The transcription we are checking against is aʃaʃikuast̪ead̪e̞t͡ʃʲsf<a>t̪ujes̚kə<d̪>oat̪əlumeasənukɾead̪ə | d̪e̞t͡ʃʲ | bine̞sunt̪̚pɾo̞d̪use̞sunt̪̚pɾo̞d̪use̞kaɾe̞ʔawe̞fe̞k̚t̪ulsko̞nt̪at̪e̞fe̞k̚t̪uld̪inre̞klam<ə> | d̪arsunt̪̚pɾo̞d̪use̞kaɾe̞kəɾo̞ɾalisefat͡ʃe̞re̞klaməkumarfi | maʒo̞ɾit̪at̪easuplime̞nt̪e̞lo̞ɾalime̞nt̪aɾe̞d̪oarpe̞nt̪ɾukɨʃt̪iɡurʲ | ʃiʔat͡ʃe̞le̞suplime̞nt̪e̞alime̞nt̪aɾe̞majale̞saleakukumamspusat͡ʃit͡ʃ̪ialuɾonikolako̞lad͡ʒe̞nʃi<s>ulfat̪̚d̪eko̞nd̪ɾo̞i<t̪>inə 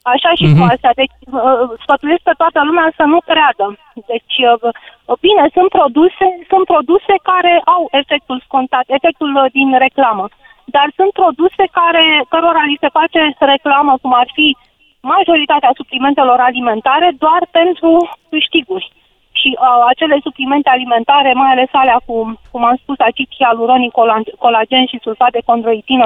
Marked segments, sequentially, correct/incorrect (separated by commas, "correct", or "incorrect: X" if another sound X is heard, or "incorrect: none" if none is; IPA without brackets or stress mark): incorrect: ə, incorrect: t̪, correct, correct, correct